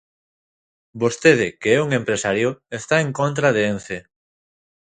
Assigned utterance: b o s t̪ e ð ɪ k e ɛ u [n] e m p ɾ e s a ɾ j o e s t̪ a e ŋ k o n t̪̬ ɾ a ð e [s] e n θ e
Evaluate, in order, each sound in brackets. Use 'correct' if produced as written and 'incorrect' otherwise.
incorrect, incorrect

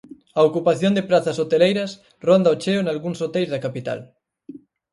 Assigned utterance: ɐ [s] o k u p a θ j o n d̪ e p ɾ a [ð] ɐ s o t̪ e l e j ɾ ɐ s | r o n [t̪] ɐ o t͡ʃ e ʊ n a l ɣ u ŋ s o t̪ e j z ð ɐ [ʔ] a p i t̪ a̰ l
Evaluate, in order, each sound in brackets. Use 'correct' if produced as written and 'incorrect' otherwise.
incorrect, incorrect, incorrect, incorrect

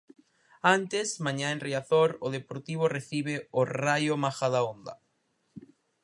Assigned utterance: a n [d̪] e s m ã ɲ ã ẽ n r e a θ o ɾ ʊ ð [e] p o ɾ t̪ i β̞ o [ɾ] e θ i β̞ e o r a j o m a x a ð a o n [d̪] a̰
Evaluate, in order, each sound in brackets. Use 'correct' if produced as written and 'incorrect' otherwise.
incorrect, correct, incorrect, correct

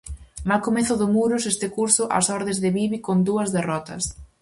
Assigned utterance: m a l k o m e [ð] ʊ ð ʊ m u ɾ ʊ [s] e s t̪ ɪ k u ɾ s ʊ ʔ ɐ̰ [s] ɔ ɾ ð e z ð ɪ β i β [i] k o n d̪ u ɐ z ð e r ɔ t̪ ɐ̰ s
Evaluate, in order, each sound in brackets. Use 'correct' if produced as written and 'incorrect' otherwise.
incorrect, correct, correct, correct

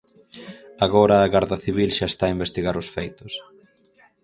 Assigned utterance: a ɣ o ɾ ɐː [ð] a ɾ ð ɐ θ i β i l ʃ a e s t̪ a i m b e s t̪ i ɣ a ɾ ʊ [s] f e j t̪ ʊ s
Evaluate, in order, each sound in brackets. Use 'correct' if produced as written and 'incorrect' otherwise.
incorrect, correct

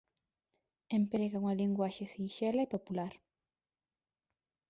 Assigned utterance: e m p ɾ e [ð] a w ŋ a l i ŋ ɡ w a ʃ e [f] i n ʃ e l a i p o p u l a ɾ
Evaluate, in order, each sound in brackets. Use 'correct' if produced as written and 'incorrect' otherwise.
incorrect, incorrect

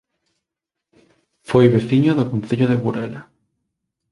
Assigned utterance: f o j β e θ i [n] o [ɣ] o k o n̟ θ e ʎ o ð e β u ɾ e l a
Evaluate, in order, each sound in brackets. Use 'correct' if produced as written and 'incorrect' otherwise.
incorrect, incorrect

